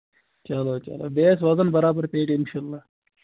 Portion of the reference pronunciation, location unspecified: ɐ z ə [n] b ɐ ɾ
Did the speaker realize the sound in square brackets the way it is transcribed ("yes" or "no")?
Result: yes